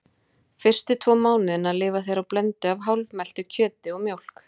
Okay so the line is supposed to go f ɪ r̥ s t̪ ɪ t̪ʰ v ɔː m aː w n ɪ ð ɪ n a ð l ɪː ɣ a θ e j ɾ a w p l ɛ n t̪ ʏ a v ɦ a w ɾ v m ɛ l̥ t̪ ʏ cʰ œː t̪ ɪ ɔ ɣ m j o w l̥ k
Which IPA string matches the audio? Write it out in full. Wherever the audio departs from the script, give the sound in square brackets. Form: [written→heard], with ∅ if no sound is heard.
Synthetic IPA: f ɪ r̥ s t̪ ɪ t̪ʰ v ɔː m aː w n ɪ ð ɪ n a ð l ɪː [ɣ→v] a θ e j ɾ a w p l ɛ n t̪ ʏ a v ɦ a w [ɾ→l] v m ɛ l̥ t̪ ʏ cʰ œː t̪ ɪ ɔ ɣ m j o w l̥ k